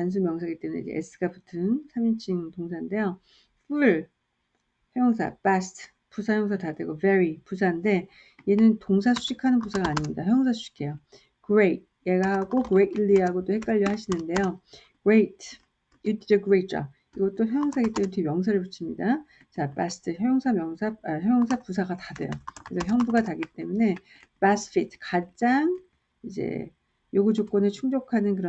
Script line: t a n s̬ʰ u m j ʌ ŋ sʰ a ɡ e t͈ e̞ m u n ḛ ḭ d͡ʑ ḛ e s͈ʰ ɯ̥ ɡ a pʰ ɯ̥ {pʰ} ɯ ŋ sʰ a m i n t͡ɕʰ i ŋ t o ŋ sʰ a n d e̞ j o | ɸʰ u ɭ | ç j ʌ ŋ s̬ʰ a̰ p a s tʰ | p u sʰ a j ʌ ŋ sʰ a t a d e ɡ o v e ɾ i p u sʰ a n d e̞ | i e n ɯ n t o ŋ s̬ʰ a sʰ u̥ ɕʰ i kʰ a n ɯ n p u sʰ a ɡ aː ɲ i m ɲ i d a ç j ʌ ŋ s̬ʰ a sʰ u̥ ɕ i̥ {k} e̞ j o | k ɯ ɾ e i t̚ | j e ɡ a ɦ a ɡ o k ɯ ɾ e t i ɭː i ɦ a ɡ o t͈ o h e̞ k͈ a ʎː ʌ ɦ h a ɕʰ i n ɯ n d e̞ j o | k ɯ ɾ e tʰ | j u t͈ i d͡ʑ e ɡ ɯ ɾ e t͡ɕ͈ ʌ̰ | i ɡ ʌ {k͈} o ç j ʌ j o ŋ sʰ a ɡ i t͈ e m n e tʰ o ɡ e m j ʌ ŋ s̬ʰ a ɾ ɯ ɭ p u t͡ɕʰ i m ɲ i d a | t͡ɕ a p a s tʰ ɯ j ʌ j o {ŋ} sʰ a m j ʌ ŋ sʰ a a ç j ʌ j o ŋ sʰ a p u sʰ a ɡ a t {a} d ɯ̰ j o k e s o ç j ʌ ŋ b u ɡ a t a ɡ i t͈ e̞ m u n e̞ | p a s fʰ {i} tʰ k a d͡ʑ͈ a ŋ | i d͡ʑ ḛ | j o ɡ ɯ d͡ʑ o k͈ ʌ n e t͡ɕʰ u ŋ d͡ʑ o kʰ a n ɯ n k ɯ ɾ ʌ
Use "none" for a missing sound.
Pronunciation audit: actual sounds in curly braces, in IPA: tʰ, kʰ, t͈, ŋ, a, i

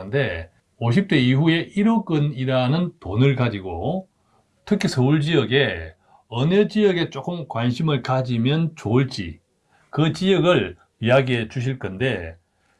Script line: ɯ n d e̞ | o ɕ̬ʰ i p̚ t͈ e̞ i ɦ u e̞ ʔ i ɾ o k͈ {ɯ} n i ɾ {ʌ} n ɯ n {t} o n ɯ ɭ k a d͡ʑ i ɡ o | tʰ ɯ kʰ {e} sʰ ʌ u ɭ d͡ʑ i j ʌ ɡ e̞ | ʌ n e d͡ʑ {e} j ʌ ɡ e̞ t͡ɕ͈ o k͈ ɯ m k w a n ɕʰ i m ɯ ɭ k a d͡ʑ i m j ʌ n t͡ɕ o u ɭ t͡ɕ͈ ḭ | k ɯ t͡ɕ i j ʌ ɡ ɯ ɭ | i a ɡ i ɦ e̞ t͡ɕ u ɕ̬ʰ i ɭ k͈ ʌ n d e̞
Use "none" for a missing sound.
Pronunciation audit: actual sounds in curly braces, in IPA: ɯ, a, t, i, i

